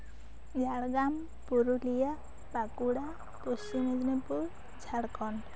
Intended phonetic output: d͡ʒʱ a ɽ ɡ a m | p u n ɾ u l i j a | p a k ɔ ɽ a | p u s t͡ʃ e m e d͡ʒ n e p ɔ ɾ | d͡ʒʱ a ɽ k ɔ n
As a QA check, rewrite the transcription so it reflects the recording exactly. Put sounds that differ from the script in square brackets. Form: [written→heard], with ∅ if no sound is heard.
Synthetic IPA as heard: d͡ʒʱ a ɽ ɡ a m | p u [n→∅] ɾ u l i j a | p a k [ɔ→u] ɽ a | p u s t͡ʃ [e→i] m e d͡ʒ n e p [ɔ→u] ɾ | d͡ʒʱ a ɽ k ɔ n